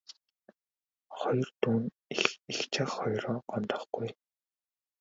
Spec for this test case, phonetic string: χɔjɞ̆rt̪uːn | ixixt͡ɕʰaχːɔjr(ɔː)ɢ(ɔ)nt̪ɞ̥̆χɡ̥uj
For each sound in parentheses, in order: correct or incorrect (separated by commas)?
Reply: correct, correct